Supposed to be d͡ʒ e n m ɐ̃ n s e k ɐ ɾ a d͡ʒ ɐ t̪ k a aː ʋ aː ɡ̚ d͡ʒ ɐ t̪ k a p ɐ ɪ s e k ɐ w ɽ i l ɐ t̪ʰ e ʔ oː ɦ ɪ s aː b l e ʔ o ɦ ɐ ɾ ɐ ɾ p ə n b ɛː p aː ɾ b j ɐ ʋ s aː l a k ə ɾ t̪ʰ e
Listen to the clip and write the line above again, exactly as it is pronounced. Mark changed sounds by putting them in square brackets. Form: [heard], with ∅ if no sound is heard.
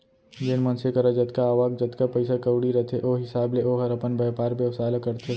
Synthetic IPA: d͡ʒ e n m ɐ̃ n s e k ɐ ɾ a d͡ʒ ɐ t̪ k a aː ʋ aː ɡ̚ d͡ʒ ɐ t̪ k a p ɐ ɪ s [a] k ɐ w ɽ i [ɾ] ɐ t̪ʰ e ʔ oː ɦ ɪ s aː b l e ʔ o ɦ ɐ ɾ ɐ [∅] p ə n b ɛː p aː ɾ b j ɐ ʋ s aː l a k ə ɾ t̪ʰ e